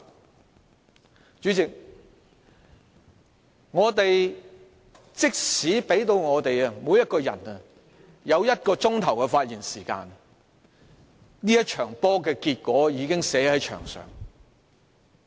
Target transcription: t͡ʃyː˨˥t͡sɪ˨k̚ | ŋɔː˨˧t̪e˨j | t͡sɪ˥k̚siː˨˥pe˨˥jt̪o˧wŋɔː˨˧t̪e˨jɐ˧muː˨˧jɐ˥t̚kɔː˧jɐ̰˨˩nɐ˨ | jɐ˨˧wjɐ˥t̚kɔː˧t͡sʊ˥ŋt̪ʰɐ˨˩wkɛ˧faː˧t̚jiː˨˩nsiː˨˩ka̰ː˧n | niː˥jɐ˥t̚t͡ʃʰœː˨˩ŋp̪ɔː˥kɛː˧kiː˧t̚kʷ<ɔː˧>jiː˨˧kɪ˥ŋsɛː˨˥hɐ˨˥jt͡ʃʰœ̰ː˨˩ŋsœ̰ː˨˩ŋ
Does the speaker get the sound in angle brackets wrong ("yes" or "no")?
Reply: yes